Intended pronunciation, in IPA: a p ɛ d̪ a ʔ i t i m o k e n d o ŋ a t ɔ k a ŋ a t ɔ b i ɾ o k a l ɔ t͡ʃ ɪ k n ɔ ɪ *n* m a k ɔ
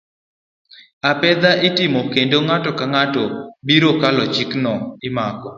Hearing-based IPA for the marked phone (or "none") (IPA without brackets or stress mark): none